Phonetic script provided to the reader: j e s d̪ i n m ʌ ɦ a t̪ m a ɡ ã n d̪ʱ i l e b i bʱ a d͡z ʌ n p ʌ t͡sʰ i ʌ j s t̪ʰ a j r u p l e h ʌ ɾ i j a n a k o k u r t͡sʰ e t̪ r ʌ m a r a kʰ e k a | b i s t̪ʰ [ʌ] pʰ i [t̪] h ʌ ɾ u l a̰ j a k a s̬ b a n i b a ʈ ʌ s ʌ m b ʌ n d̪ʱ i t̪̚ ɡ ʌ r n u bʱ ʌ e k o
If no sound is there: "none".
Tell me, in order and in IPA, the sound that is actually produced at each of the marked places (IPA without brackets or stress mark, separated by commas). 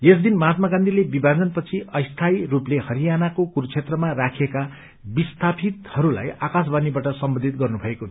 a, t̪